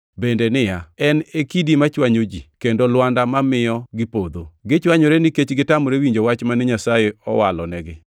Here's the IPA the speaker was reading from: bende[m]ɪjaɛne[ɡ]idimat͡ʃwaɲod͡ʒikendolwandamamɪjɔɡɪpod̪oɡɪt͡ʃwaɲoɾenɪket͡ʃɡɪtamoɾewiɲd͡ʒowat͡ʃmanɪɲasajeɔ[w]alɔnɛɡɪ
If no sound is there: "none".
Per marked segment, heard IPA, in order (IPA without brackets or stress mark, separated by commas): n, k, w